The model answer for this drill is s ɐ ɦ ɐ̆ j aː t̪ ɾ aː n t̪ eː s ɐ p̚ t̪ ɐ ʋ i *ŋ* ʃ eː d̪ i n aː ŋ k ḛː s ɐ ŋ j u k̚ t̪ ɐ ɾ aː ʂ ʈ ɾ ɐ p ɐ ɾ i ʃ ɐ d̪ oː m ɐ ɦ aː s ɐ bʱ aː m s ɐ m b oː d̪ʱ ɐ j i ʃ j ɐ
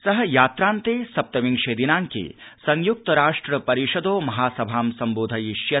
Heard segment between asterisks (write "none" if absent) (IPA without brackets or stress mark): ŋ